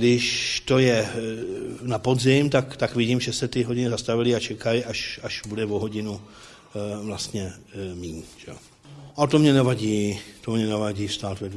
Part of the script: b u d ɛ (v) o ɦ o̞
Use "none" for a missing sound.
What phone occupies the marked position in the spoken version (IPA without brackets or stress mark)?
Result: v